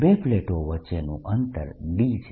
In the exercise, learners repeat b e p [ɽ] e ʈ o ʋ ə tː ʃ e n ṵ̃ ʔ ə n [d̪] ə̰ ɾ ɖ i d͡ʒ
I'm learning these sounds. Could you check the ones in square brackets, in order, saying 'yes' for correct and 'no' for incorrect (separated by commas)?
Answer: no, no